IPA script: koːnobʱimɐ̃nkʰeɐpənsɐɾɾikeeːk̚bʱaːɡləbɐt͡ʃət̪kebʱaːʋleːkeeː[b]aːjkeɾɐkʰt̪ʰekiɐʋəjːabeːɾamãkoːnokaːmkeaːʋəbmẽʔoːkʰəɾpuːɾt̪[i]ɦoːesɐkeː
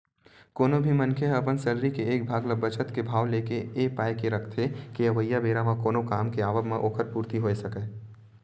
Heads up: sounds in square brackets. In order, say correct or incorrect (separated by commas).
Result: incorrect, correct